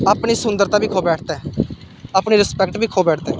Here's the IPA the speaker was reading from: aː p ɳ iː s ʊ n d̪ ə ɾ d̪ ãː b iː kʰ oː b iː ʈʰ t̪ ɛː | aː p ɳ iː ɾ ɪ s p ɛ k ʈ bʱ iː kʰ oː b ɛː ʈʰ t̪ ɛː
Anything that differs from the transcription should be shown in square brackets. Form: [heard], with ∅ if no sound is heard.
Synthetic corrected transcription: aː p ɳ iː s ʊ n d̪ ə ɾ [t̪] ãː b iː kʰ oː b [ɛː] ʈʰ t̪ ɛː | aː p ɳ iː ɾ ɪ s p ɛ k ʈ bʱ iː kʰ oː b ɛː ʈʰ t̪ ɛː